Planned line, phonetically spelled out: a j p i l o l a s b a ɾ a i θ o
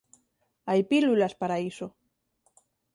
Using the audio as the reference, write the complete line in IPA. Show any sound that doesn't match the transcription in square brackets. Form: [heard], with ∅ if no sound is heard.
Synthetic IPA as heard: a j p i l [u] l a s [p] a ɾ a i [s] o

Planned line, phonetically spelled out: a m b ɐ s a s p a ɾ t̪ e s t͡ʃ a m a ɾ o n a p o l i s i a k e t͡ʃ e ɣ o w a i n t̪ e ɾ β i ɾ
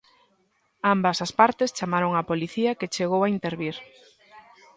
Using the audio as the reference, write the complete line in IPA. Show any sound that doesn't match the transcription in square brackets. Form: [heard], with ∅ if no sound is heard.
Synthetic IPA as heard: a m b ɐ s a s p a ɾ t̪ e s t͡ʃ a m a ɾ o [ŋ] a p o l i [θ] i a k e t͡ʃ e ɣ o w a i n t̪ e ɾ β i ɾ

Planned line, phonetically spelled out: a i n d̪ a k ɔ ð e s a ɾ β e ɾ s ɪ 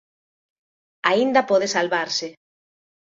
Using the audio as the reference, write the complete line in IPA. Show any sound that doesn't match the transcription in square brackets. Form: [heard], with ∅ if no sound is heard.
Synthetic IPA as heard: a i n d̪ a [p] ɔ ð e s a [l] β [a] ɾ s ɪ

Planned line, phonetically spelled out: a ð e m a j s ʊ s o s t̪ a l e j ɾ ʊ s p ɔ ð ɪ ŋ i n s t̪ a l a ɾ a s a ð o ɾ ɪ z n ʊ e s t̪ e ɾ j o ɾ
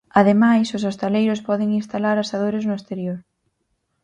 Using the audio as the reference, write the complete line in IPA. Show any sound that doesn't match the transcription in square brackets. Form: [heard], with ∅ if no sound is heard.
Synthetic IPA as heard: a ð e m a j s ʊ s o s t̪ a l e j ɾ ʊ s p ɔ ð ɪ ŋ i n s t̪ a l a ɾ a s a ð o ɾ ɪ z n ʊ e s t̪ e ɾ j o ɾ

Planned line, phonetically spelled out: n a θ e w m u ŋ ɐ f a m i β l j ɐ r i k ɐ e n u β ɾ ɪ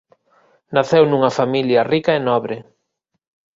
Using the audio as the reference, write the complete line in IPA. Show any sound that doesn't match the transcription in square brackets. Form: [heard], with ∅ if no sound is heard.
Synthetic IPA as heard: n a θ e w [n] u ŋ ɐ f a m i [∅] l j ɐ r i k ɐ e n [ɔ] β ɾ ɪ

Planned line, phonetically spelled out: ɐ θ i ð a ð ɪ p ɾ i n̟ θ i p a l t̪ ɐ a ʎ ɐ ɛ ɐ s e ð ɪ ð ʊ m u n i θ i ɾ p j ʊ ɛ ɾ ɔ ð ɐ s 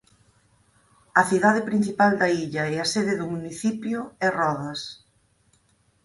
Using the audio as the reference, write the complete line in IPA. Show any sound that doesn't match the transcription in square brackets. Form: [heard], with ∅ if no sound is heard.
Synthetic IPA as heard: ɐ θ i ð a ð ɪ p ɾ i n̟ θ i p a l [d̪] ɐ [i] ʎ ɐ ɛ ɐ s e ð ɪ ð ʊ m u n i θ i [∅] p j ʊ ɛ [r] ɔ ð ɐ s

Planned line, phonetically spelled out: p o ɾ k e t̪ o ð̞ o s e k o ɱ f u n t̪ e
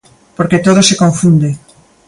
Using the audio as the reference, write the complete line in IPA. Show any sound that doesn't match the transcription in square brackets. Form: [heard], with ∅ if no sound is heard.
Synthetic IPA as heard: p o ɾ k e t̪ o ð̞ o s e k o ɱ f u n [d̪] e

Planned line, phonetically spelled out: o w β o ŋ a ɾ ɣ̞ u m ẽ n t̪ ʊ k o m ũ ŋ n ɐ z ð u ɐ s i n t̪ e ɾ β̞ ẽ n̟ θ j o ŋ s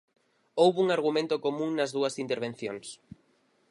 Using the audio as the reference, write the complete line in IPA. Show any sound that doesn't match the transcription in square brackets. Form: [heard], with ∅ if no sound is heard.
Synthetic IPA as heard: o w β [u] ŋ a ɾ ɣ̞ u m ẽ n t̪ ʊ k o m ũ ŋ n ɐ z ð u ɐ s i n t̪ e ɾ β̞ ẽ n̟ θ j o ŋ s

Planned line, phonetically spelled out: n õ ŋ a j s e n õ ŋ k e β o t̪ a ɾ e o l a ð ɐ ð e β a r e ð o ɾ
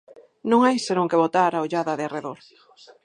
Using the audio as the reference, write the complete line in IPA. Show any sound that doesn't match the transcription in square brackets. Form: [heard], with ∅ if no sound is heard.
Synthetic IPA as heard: n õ ŋ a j s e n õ ŋ k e β o t̪ a ɾ [a] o [ʎ] a ð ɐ ð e [∅] a r e ð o ɾ

